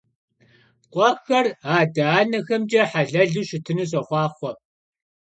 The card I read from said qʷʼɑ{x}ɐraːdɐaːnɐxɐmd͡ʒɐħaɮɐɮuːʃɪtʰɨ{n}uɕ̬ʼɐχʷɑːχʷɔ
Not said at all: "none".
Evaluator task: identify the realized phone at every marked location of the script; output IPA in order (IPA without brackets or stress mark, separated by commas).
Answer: x, n